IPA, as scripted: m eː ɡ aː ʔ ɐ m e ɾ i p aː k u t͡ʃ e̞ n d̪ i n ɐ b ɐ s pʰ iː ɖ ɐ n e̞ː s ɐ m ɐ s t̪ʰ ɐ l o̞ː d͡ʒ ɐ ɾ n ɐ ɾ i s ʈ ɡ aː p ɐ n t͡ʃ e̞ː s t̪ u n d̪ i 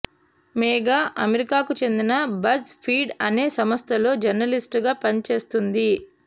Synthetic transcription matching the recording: m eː ɡ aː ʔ ɐ m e ɾ i k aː k u t͡ʃ e̞ n d̪ i n ɐ b ɐ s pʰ iː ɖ ɐ n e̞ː s ɐ m ɐ s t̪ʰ ɐ l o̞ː d͡ʒ ɐ ɾ n ɐ l i s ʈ ɡ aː p ɐ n t͡ʃ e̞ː s t̪ u n d̪ i